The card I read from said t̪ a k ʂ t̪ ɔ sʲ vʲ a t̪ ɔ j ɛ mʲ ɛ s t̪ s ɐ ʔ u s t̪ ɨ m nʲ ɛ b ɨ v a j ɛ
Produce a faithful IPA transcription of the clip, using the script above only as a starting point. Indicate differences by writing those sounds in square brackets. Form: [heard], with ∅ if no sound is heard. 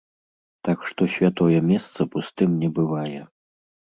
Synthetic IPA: t̪ a k ʂ t̪ ɔ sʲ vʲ a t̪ ɔ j ɛ mʲ ɛ s t̪ s ɐ [p] u s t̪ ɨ m nʲ ɛ b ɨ v a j ɛ